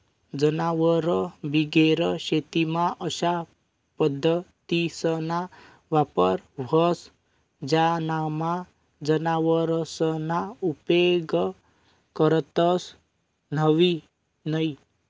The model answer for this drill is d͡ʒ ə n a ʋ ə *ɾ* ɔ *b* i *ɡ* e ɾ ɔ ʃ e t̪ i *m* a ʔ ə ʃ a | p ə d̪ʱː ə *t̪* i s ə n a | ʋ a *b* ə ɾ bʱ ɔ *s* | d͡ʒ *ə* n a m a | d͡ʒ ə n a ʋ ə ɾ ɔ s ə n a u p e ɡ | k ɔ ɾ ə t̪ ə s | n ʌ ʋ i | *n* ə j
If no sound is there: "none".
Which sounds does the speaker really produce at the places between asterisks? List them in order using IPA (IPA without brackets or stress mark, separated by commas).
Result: ɾ, b, ɡ, m, t̪, p, s, a, n